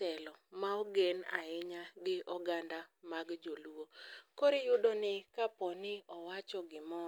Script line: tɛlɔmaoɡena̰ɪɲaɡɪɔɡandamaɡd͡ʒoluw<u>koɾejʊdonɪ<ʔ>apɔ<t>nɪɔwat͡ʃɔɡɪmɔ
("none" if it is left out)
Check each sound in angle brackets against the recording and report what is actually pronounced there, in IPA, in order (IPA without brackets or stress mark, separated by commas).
o, k, none